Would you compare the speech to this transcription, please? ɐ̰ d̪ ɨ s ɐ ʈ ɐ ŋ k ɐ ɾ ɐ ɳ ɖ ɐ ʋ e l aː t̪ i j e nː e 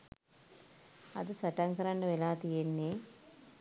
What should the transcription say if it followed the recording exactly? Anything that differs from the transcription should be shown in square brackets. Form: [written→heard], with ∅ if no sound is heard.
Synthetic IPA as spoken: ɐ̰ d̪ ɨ s ɐ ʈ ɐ ŋ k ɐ ɾ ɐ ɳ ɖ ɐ ʋ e l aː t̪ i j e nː e